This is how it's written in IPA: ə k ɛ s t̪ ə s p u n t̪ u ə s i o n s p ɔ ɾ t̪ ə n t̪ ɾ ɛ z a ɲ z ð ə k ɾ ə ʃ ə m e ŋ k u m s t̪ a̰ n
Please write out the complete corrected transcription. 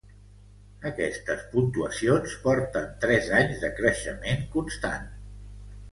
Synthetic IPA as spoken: ə k ɛ s t̪ ə s p u n t̪ u ə s i o n s p ɔ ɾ t̪ ə n t̪ ɾ ɛ z a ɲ z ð ə k ɾ ə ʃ ə m e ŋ k u n s t̪ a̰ n

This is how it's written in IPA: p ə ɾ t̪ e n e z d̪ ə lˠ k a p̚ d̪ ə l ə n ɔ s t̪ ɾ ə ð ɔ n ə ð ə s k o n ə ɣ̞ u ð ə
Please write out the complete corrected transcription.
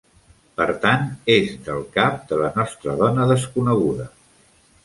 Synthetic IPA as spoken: p ə ɾ t̪ a n e z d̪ ə lˠ k a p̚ d̪ ə l ə n ɔ s t̪ ɾ ə ð ɔ n ə ð ə s k u n ə ɣ̞ u ð ə

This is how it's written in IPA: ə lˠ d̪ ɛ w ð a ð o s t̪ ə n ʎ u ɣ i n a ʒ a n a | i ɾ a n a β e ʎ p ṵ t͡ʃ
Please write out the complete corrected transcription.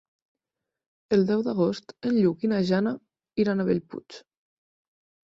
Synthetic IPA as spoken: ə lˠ d̪ ɛ w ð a ɣ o s t̪ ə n ʎ u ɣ i n a ʒ a n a | i ɾ a n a β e ʎ p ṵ t͡ʃ

